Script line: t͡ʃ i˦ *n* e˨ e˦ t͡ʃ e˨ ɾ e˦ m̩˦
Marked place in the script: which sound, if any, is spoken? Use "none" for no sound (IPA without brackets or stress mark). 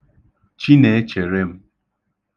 n